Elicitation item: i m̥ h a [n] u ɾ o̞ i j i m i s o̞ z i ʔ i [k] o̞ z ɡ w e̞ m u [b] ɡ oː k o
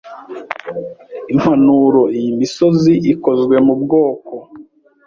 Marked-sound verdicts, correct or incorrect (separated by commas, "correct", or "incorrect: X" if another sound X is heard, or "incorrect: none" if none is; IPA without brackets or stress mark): correct, correct, correct